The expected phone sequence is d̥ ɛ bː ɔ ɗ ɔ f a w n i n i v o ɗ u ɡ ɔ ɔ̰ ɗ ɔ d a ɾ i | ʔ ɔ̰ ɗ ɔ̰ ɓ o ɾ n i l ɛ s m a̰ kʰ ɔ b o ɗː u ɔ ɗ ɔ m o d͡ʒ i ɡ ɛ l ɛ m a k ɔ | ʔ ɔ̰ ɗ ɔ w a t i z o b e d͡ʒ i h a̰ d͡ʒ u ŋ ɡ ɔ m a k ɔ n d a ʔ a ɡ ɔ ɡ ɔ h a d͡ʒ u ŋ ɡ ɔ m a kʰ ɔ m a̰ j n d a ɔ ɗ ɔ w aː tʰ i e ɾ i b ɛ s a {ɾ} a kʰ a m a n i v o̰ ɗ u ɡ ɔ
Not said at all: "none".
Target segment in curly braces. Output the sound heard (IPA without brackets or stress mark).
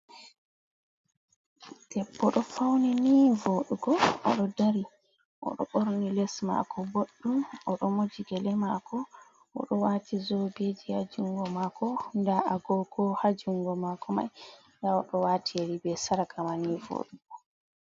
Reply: ɾ